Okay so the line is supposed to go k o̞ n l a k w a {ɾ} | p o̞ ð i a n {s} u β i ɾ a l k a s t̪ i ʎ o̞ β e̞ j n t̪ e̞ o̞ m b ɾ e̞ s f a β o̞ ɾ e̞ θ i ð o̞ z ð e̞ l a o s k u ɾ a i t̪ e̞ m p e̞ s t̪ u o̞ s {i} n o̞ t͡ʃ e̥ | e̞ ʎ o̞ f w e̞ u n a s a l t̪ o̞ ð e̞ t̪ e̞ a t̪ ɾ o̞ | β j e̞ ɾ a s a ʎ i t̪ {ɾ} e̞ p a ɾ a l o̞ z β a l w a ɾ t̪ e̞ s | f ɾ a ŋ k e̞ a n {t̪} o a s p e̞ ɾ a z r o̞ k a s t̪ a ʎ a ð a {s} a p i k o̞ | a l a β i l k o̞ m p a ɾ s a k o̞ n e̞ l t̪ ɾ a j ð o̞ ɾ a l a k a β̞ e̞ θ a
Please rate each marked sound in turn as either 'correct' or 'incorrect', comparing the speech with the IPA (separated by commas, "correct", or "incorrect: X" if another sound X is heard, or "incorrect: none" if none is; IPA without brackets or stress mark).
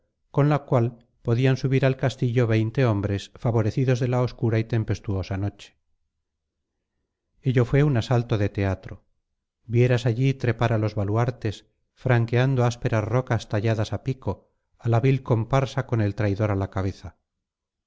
incorrect: l, correct, incorrect: a, correct, incorrect: d̪, correct